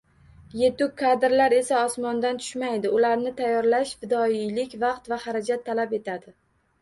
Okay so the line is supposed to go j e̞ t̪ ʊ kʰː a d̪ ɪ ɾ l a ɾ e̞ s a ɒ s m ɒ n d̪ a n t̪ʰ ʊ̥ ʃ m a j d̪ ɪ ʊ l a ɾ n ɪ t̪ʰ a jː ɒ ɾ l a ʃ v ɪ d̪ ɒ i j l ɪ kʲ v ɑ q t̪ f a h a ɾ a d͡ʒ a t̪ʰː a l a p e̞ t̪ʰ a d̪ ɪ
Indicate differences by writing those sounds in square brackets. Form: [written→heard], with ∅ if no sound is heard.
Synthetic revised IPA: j e̞ t̪ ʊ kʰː a d̪ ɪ ɾ l a ɾ e̞ s a ɒ s m ɒ n d̪ a n t̪ʰ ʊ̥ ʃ m a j d̪ ɪ ʊ l a ɾ n ɪ t̪ʰ a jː ɒ ɾ l a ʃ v ɪ d̪ ɒ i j l ɪ kʲ v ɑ q t̪ [f→v] a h a ɾ a d͡ʒ a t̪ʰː a l a p e̞ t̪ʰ a d̪ ɪ